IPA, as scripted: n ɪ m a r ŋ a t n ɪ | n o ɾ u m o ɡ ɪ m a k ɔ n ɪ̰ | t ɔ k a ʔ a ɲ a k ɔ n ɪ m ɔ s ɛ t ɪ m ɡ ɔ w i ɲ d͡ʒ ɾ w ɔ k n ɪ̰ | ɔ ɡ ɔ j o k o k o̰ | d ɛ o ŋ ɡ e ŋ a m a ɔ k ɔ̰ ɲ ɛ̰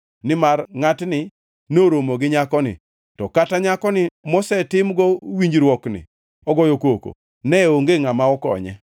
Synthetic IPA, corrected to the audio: n ɪ m a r ŋ a t n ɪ | n o ɾ o m o ɡ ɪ ɲ a k ɔ n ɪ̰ | t ɔ k a t a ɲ a k ɔ n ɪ m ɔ s ɛ t ɪ m ɡ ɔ w i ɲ d͡ʒ ɾ w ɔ k n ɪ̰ | ɔ ɡ ɔ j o k o k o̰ | n ɛ o ŋ ɡ e ŋ a m a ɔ k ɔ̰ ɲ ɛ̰